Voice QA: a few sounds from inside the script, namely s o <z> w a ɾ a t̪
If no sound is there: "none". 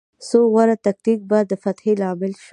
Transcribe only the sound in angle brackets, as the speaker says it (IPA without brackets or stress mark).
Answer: ɣ